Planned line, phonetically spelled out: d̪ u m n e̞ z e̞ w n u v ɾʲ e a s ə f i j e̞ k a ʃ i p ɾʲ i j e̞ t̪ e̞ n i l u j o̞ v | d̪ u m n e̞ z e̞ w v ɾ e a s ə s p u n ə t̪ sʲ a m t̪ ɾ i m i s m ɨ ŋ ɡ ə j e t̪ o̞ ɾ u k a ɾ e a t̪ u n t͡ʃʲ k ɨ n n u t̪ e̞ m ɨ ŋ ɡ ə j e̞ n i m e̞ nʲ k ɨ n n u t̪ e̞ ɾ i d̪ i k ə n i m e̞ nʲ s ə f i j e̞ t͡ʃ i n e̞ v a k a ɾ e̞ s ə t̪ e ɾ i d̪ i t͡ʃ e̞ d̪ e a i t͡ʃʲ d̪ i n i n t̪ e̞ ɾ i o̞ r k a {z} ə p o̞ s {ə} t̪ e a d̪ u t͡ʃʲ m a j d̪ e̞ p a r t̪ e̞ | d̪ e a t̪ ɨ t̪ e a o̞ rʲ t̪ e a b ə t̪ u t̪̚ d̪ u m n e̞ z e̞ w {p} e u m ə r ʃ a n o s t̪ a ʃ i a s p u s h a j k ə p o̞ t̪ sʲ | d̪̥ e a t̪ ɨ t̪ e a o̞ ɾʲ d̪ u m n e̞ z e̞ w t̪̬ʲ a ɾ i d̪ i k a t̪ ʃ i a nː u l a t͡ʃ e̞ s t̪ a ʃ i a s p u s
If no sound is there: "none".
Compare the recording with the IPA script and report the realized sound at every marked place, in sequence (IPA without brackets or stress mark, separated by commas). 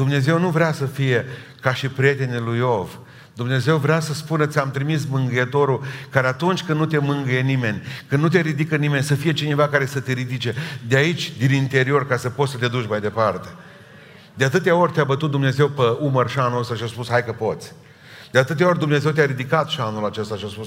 s, ə, p